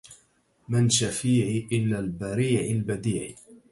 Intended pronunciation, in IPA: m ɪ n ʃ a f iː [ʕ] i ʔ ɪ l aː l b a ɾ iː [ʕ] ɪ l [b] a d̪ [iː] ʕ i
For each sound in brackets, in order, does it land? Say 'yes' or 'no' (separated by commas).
yes, yes, yes, yes